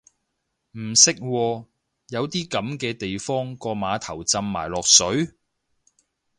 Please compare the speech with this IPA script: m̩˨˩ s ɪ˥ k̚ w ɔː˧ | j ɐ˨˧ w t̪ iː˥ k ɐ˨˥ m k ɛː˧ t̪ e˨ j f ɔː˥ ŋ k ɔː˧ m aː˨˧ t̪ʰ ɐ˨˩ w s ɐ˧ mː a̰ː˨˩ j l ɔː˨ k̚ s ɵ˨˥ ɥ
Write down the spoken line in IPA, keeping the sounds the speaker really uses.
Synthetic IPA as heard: m̩˨˩ s ɪ˥ k̚ w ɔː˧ | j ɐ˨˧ w t̪ iː˥ k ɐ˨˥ m k ɛː˧ t̪ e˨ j f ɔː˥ ŋ k ɔː˧ m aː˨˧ t̪ʰ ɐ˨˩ w t͡s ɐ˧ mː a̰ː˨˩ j l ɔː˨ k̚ s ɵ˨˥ ɥ